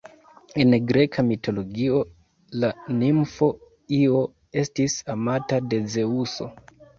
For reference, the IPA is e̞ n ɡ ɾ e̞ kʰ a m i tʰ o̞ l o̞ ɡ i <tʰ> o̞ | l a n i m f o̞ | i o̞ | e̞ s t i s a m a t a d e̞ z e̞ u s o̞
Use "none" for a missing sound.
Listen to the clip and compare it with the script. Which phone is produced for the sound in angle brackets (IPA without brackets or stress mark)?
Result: none